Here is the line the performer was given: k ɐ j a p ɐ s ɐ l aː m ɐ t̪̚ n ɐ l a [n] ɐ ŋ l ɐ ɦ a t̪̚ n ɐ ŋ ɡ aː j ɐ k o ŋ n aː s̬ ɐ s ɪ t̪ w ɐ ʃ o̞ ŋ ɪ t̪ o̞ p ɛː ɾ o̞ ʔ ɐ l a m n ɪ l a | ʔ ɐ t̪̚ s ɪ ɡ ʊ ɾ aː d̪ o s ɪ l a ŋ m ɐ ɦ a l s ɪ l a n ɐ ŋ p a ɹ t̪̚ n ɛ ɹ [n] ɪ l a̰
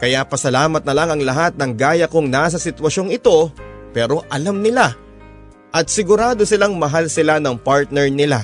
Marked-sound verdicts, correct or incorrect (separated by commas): incorrect, correct